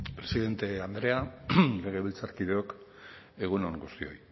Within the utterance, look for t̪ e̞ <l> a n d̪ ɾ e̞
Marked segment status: incorrect: none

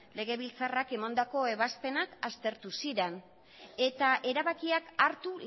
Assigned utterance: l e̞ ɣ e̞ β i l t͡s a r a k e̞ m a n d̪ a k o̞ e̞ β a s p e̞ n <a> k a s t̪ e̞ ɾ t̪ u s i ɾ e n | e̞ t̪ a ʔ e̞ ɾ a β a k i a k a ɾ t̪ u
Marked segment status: correct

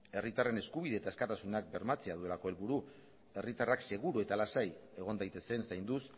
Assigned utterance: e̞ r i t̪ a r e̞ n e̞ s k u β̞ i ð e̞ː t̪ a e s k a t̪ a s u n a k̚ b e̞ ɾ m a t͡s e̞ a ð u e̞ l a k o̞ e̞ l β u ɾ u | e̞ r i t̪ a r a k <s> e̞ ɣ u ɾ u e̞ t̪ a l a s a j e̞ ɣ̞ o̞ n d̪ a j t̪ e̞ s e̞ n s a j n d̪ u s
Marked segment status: correct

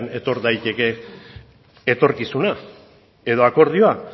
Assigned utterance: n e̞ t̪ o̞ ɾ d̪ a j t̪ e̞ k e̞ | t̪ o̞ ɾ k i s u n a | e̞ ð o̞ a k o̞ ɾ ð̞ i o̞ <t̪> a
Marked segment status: incorrect: none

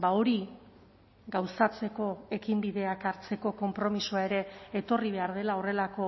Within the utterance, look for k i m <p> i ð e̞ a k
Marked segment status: incorrect: b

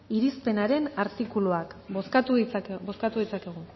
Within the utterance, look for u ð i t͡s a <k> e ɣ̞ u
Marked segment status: correct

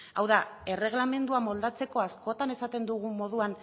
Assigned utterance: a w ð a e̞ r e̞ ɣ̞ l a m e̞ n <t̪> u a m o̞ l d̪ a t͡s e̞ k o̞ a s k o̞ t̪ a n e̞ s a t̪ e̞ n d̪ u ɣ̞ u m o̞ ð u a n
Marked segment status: incorrect: d̪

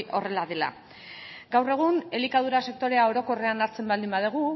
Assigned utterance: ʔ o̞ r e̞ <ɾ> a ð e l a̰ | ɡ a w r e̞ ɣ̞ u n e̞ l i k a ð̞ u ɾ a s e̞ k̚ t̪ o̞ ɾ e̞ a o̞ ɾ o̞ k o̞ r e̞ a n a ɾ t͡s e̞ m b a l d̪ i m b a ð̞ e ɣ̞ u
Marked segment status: incorrect: l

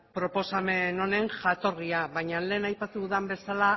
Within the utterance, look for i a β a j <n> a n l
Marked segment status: incorrect: ɲ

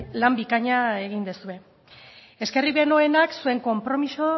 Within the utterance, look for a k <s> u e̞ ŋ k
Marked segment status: correct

